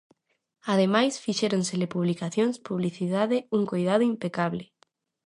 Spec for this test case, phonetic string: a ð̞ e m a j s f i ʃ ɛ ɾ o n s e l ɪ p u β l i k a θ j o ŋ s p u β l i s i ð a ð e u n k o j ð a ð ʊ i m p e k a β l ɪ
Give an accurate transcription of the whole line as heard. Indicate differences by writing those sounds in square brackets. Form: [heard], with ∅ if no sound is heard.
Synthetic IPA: a ð̞ e m a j s f i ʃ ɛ ɾ o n s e l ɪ p u β l i k a θ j o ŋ s p u β l i [θ] i ð a ð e u [ŋ] k o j ð a ð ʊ i m p e k a β l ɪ

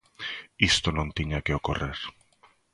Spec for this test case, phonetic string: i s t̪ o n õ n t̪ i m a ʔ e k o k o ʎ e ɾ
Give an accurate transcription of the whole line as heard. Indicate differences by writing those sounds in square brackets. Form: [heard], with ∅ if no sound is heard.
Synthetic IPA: i s t̪ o n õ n t̪ i [ɲ] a [k] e [∅] o k o [r] e ɾ

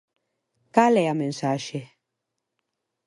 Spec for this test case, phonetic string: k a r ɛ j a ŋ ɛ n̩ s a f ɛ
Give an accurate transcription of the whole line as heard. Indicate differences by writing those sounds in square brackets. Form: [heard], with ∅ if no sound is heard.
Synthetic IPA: k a [l] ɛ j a [m] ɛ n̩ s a [ʃ] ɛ

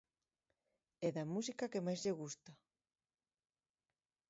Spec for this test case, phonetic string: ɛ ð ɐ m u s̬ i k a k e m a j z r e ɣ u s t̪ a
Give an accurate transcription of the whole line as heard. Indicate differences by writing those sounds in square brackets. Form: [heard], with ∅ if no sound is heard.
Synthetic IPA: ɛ ð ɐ m u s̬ i k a k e m a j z [ʎ] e ɣ u s t̪ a

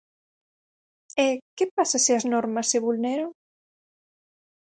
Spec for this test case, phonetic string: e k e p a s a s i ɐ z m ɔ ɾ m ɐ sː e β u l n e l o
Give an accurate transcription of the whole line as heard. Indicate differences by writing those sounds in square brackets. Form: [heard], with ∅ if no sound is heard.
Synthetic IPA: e k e p a s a s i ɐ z [n] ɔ ɾ m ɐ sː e β u l n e [ɾ] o

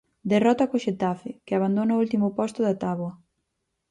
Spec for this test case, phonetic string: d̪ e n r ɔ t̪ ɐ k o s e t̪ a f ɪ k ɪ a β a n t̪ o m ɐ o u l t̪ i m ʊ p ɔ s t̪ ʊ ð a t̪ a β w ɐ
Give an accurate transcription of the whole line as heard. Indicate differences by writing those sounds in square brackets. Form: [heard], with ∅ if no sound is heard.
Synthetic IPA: d̪ e [∅] r ɔ t̪ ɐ k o [ʃ] e t̪ a f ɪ k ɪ a β a n [d̪] o [n] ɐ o u l t̪ i m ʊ p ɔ s t̪ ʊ ð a t̪ a β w ɐ

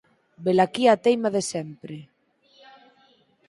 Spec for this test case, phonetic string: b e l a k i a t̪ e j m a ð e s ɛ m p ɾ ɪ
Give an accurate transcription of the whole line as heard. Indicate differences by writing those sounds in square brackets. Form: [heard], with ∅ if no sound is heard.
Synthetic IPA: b e l a k i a t̪ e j m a ð e s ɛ m p ɾ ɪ

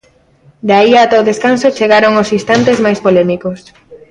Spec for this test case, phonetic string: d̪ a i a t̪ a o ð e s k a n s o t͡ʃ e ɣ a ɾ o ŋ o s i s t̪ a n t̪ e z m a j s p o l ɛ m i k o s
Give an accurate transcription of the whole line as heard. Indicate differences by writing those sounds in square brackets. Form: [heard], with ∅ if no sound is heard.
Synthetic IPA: d̪ a i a t̪ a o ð e s k a n s o t͡ʃ e ɣ a ɾ o ŋ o s i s t̪ a n t̪ e z m a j s p o l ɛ m i k o s

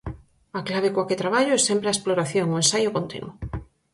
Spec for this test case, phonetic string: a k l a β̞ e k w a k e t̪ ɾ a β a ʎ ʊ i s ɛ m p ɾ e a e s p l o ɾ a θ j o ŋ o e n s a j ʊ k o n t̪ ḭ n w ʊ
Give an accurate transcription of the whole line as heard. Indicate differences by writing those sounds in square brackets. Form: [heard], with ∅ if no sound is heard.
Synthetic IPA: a k l a β̞ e k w a k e t̪ ɾ a β a ʎ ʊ [ɛ] s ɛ m p ɾ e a e s p l o ɾ a θ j o ŋ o e n s a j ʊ k o n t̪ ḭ n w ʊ

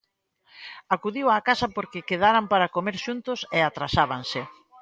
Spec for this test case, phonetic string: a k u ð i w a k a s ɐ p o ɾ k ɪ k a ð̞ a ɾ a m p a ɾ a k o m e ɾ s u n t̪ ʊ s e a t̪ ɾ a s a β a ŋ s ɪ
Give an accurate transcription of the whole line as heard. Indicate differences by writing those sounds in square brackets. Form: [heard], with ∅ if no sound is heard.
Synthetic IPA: a k u ð i w a k a s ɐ p o ɾ k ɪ k [e] ð̞ a ɾ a m p a ɾ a k o m e ɾ [ʃ] u n t̪ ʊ s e a t̪ ɾ a s a β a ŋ s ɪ

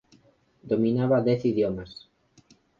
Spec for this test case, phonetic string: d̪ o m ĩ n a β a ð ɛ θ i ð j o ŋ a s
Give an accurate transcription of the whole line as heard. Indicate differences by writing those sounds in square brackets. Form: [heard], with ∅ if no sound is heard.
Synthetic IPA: d̪ o m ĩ n a β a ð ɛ θ i ð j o [m] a s

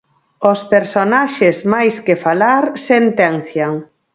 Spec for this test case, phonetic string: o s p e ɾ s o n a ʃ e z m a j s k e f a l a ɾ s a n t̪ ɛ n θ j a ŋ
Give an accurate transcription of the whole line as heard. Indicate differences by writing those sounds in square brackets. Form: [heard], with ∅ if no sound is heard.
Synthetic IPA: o s p e ɾ s o n a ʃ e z m a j s k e f a l a ɾ s [e] n t̪ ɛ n θ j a ŋ

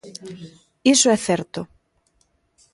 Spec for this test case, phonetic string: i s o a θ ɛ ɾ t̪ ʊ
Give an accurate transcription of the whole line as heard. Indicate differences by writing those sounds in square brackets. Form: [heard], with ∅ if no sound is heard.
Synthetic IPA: i s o [ɛ] θ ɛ ɾ t̪ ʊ

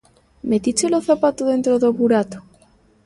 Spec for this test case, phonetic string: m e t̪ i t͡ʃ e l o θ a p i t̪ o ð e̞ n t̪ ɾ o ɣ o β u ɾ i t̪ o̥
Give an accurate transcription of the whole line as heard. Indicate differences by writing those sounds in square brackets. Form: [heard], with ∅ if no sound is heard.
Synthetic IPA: m e t̪ i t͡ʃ e l o θ a p [a] t̪ o ð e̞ n t̪ ɾ o [ð] o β u ɾ [a] t̪ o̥

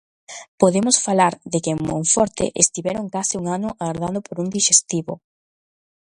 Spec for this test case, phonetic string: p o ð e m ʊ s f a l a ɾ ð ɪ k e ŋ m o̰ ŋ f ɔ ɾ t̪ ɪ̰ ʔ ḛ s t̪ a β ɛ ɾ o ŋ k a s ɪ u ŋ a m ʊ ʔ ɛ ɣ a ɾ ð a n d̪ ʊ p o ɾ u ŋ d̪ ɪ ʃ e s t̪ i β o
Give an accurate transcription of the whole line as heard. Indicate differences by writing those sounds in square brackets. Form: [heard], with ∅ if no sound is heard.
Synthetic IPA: p o ð e m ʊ s f a l a ɾ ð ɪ k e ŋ m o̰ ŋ f ɔ ɾ t̪ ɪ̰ ʔ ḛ s t̪ [i] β ɛ ɾ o ŋ k a s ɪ u ŋ a [n] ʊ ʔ [a] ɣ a ɾ ð a n d̪ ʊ p o ɾ u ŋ d̪ [i] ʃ e s t̪ i β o

